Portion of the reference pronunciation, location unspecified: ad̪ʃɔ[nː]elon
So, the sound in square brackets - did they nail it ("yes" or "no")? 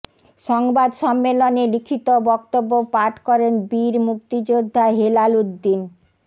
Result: no